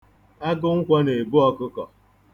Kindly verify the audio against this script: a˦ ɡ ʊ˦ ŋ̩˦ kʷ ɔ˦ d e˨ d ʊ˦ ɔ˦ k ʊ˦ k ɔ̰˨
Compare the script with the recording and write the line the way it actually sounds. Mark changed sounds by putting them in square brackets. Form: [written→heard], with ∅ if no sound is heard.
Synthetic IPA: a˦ ɡ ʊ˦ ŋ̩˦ kʷ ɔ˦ [d→n] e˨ [d→b] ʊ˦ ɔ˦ k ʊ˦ k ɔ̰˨